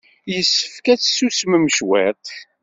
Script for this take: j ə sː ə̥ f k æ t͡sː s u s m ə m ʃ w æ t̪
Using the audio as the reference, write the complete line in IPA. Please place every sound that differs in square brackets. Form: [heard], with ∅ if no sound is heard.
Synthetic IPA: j ə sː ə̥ f k æ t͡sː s u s m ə m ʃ w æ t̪